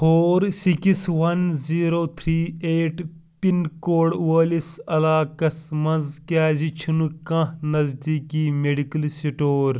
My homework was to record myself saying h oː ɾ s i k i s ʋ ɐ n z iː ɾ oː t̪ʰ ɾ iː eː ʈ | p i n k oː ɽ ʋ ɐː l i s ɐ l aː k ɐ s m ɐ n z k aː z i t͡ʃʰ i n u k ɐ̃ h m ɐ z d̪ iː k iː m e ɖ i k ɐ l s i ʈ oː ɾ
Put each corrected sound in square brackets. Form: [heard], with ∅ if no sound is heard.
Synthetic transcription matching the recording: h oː ɾ s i k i s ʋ ɐ n z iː ɾ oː t̪ʰ ɾ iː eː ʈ | p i n k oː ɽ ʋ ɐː l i s ɐ l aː k ɐ s m ɐ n z k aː z i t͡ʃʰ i n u k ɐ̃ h [n] ɐ z d̪ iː k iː m e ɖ i k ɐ l s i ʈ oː ɾ

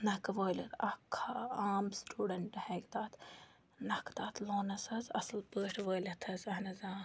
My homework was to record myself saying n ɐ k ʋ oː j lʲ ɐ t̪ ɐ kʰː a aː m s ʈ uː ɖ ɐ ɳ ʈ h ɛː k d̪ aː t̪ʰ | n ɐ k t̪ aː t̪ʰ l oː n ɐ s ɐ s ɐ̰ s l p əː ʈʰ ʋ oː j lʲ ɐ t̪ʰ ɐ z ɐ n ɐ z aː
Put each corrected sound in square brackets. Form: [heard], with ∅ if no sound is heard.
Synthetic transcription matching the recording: n ɐ k ʋ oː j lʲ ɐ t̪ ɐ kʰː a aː m s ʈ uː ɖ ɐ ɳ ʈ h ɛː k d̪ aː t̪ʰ | n ɐ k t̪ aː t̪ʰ l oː n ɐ s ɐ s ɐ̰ s l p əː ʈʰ ʋ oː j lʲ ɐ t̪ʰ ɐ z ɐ n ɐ z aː

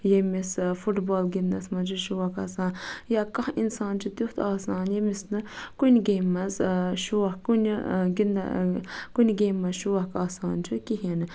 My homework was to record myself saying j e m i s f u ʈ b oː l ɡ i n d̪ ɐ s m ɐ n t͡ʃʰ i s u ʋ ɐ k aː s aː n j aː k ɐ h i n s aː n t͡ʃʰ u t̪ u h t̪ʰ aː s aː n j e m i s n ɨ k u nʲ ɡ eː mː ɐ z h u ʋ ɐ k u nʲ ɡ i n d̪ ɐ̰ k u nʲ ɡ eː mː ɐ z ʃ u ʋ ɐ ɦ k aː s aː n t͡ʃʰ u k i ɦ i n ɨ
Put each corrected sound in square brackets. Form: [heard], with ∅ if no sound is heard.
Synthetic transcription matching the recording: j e m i s f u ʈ b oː l ɡ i n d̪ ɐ s m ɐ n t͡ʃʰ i [ʃ] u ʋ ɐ k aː s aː n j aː k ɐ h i n s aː n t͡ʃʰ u t̪ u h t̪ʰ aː s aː n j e m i s n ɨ k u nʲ ɡ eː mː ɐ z [ʃ] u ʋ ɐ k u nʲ ɡ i n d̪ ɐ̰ k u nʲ ɡ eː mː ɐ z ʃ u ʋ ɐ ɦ k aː s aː n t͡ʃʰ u k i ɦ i n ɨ

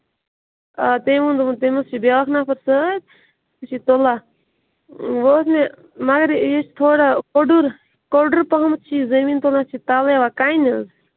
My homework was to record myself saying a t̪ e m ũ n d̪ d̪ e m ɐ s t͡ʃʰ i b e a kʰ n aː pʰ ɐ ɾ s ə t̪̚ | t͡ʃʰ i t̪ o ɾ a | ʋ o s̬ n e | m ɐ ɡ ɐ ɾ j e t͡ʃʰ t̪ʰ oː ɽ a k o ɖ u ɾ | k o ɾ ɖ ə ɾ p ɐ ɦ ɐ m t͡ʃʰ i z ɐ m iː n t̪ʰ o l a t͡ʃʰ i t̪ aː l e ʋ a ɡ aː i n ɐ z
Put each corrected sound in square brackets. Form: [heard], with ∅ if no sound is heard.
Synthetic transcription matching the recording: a t̪ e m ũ n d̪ [t̪] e m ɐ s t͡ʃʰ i b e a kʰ n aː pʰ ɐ ɾ s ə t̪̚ | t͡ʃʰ i t̪ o [l] a | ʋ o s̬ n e | m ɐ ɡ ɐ ɾ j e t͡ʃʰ t̪ʰ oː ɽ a k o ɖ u ɾ | k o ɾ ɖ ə ɾ p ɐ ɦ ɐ m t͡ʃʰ i z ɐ m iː n [t̪] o l a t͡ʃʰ i t̪ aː l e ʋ a [k] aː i n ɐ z

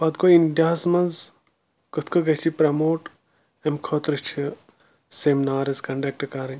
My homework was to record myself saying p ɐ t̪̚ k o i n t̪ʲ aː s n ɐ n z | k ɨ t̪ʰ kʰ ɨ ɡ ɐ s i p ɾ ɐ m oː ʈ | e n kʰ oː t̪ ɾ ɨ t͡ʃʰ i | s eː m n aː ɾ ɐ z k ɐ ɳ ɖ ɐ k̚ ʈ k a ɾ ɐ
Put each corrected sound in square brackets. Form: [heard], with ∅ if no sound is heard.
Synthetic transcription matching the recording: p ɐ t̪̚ k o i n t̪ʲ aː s [m] ɐ n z | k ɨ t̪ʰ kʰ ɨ ɡ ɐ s i p ɾ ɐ m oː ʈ | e [m] kʰ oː t̪ ɾ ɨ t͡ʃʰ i | s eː m n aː ɾ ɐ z k ɐ ɳ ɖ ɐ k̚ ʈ k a ɾ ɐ

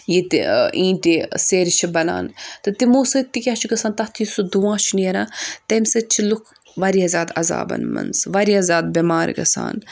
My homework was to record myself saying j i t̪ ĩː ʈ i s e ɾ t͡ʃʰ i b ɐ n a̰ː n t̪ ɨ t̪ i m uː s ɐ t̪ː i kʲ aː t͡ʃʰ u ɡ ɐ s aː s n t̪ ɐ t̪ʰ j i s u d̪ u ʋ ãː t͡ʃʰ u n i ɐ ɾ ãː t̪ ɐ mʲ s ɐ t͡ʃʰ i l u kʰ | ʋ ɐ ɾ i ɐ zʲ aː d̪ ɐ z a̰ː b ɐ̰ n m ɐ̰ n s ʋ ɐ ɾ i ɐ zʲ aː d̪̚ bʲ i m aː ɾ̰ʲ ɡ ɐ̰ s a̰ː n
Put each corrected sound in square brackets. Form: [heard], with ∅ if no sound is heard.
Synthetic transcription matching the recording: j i t̪ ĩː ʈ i s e ɾ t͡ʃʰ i b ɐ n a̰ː n t̪ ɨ t̪ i m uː s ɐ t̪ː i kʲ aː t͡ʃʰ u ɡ ɐ s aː [∅] n t̪ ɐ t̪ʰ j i s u d̪ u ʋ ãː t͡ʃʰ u n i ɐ ɾ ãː t̪ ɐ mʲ s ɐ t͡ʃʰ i l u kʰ | ʋ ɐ ɾ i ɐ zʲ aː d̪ ɐ z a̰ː b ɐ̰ n m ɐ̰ n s ʋ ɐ ɾ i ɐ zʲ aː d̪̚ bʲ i m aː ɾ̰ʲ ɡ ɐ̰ s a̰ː n

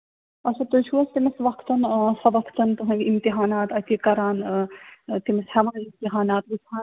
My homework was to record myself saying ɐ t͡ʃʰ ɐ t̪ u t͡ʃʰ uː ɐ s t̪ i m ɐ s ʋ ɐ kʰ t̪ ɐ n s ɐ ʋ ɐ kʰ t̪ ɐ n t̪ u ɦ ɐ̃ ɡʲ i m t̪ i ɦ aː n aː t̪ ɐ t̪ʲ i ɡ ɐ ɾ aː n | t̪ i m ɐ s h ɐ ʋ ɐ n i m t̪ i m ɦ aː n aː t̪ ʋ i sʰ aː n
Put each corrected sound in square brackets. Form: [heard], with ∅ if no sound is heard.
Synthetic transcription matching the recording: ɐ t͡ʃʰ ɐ t̪ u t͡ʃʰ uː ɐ s t̪ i m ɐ s ʋ ɐ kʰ t̪ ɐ n s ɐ ʋ ɐ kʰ t̪ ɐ n t̪ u ɦ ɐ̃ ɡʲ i m t̪ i ɦ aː n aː t̪ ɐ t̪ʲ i [k] ɐ ɾ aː n | t̪ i m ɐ s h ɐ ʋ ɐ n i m t̪ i [∅] ɦ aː n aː t̪ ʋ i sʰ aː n

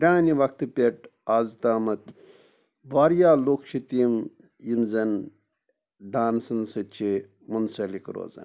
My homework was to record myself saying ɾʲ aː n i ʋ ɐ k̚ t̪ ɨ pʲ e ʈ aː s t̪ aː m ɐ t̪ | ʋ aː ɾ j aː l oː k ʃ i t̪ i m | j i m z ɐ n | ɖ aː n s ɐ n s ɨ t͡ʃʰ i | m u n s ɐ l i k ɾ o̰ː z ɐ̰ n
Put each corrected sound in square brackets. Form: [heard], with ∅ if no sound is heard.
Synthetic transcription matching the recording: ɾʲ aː n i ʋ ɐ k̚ t̪ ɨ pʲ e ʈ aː [z] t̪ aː m ɐ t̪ | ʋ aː ɾ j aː l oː k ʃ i t̪ i m | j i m z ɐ n | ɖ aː n s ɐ n s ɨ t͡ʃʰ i | m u n s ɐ l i k ɾ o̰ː z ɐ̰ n

